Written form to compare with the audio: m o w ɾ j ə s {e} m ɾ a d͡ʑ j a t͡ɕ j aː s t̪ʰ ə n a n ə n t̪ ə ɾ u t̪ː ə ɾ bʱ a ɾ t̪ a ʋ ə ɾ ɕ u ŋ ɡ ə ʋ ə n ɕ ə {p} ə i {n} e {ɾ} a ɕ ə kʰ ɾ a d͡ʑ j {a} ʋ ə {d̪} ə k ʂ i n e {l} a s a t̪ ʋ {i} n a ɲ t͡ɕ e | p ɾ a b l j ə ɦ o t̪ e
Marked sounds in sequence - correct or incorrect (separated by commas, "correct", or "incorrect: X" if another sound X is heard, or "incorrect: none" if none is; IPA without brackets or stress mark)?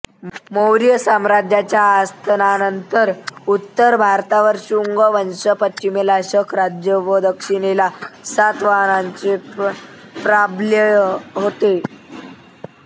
incorrect: a, correct, incorrect: m, incorrect: l, incorrect: ə, correct, correct, incorrect: a